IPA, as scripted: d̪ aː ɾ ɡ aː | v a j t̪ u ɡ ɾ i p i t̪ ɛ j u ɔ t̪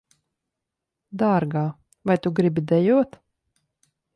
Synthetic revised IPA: d̪ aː ɾ ɡ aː | v a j t̪ u ɡ ɾ i b i d̪ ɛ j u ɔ t̪